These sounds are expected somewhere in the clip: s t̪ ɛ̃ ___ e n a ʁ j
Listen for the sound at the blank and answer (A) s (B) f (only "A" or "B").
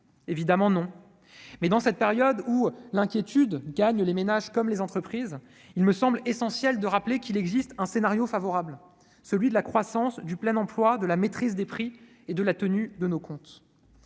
A